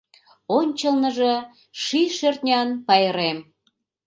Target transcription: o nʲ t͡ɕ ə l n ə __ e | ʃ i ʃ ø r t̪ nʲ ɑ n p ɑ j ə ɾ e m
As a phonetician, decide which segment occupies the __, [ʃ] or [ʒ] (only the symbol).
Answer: ʒ